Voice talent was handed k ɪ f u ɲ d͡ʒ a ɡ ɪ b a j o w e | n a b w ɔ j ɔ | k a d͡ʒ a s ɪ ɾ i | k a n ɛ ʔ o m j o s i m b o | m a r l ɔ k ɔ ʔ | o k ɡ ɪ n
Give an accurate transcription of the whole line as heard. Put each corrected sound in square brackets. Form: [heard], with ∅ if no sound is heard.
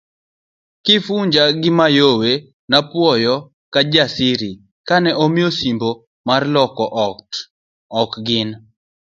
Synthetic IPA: k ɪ f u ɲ d͡ʒ a ɡ ɪ [m] a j o w e | n a [p] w ɔ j ɔ | k a d͡ʒ a s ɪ ɾ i | k a n ɛ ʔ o m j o s i m b o | m a r l ɔ k ɔ ʔ | [ɔ] k ɡ ɪ n